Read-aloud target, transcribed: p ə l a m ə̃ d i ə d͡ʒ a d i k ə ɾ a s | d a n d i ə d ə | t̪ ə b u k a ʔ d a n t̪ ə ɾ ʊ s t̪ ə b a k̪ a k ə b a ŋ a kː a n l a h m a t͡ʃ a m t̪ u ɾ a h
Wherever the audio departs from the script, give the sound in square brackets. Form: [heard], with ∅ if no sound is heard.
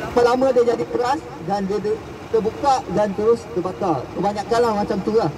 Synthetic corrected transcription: p ə l a m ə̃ d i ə d͡ʒ a d i k ə ɾ a s | d a n d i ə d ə | t̪ ə b u k a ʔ d a n t̪ ə ɾ ʊ s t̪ ə b a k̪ a k ə b a [ɲ] a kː a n l a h m a t͡ʃ a m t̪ u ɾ a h